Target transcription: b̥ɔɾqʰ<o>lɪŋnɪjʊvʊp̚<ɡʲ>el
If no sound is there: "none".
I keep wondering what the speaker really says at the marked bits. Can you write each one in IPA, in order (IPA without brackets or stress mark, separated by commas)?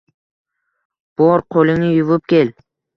o, kʲ